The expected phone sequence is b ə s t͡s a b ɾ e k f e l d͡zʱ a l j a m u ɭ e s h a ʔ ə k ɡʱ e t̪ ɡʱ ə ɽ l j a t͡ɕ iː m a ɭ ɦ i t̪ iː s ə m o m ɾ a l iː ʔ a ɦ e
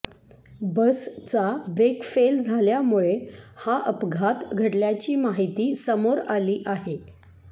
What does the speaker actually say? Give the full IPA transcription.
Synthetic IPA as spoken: b ə s t͡s a b ɾ e k f e l d͡zʱ a l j a m u ɭ e h a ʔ ə p ɡʱ a t̪ ɡʱ ə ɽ l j a t͡ɕ iː m a ɦ i t̪ iː s ə m o ɾ a l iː ʔ a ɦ e